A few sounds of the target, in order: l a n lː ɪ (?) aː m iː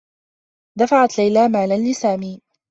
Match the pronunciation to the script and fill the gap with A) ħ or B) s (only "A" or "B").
B